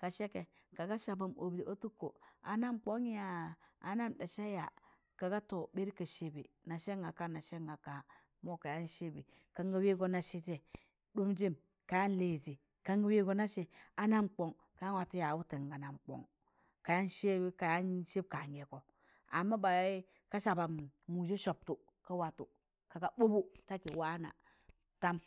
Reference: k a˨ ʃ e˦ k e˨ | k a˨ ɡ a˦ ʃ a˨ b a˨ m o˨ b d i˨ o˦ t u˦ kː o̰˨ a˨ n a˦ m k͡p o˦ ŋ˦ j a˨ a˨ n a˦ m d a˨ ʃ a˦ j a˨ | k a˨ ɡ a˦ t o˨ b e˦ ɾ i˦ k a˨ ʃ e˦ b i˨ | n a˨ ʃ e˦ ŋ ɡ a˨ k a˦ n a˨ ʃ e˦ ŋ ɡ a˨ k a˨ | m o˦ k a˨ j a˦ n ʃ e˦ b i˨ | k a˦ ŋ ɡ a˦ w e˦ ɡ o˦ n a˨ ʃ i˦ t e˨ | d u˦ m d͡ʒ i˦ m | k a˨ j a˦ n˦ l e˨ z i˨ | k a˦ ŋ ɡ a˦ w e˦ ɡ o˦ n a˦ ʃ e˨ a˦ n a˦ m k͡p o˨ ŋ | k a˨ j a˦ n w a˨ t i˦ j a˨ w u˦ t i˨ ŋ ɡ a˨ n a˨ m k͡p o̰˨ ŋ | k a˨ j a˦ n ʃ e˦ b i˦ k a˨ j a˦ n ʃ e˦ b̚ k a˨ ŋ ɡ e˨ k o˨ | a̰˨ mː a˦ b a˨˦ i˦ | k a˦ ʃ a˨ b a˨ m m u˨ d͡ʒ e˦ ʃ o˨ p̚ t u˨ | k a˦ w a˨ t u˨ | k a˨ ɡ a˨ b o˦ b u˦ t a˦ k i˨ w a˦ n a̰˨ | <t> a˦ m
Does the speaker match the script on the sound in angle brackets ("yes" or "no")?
yes